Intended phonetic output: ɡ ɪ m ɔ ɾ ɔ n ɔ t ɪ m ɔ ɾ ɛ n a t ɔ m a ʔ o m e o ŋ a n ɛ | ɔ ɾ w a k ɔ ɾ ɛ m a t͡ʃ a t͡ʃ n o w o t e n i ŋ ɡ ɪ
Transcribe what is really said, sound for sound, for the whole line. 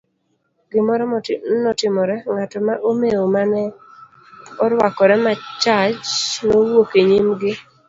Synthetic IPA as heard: ɡ ɪ m ɔ ɾ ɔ n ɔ t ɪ m ɔ ɾ ɛ ŋ a t ɔ m a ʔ o m e o m a n ɛ | ɔ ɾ w a k ɔ ɾ ɛ m a t͡ʃ a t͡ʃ n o w o k e ɲ i m ɡ ɪ